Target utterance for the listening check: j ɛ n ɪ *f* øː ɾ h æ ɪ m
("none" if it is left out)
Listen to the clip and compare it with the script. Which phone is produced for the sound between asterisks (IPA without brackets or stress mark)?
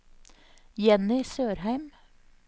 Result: s